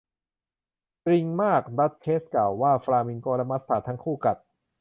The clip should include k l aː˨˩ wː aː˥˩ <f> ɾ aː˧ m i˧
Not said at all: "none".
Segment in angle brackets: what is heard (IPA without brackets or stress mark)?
f